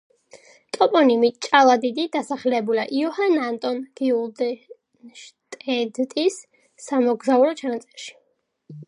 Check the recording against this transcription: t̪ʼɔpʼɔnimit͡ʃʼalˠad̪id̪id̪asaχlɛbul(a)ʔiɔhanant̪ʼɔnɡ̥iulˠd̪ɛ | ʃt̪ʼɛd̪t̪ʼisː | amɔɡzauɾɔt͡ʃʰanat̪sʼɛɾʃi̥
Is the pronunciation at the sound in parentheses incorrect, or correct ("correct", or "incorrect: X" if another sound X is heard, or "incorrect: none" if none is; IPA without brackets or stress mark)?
correct